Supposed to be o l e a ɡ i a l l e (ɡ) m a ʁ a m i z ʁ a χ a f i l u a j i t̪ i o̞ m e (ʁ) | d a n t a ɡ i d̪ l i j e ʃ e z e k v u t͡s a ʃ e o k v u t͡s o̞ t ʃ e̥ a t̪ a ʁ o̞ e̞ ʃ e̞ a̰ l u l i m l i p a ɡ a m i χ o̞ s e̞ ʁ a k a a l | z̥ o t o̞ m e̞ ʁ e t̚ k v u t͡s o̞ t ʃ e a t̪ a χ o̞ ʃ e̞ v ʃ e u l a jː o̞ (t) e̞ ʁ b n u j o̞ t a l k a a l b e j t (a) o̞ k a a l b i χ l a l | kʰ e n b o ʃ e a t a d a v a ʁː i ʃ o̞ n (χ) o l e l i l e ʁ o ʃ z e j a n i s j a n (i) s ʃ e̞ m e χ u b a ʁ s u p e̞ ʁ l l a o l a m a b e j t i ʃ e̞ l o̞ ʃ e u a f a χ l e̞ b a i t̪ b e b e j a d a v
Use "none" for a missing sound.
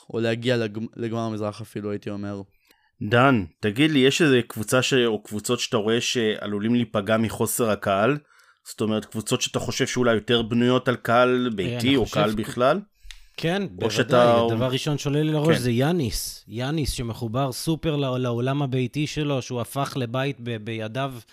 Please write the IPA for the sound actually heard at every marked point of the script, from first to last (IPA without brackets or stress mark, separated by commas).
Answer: ɡ, ʁ, t, i, ʃ, i